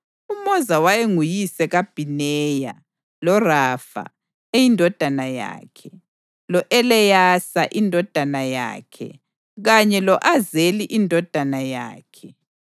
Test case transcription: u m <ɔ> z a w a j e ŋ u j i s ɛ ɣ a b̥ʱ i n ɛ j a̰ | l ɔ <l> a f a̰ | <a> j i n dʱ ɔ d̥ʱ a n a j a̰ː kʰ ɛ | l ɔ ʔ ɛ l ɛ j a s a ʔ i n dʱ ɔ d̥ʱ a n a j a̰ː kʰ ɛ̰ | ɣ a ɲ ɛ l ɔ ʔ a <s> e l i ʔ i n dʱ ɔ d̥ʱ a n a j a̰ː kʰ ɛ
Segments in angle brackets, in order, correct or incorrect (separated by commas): correct, incorrect, incorrect, incorrect